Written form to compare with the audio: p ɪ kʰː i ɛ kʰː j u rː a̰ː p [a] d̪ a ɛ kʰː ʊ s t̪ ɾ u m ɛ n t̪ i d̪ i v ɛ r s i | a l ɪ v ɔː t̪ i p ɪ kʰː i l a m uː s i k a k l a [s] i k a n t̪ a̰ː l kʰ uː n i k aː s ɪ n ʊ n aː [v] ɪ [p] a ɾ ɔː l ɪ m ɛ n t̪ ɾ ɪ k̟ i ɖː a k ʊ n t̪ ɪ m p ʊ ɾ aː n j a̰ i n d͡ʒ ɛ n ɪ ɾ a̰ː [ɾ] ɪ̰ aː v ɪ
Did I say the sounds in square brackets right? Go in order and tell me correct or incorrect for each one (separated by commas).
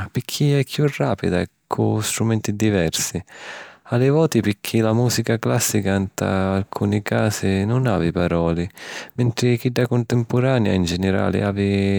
incorrect, incorrect, correct, correct, incorrect